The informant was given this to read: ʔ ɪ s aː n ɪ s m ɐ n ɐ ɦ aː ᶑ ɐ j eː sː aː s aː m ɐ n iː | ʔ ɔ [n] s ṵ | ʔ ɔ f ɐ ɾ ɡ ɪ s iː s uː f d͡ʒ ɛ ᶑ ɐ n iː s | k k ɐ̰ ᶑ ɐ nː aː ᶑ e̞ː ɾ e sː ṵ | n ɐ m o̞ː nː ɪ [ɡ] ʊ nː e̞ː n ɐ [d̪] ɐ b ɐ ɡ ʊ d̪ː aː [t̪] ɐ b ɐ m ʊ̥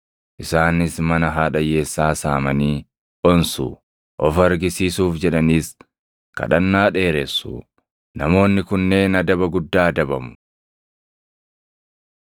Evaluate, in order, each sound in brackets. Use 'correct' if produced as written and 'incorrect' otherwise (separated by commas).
correct, incorrect, correct, incorrect